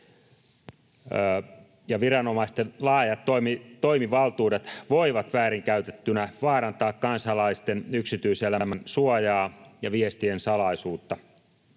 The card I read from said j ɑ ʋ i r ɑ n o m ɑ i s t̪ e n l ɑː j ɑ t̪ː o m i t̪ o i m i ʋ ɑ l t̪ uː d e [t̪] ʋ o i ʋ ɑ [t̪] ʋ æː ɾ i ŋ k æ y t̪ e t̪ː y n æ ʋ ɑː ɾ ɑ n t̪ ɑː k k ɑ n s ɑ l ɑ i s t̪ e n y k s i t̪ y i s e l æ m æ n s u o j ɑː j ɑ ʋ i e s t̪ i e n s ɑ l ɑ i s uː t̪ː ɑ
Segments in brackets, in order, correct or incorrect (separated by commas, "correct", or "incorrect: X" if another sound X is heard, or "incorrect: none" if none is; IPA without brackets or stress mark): correct, correct